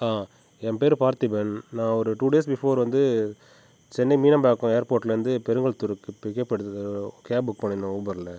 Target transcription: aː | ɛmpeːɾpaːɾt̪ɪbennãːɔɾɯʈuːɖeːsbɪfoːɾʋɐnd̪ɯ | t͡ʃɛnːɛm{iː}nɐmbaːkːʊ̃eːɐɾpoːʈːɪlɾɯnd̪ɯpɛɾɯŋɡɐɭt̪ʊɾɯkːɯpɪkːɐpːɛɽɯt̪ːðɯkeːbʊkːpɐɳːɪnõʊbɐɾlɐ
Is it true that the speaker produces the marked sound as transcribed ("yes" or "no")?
yes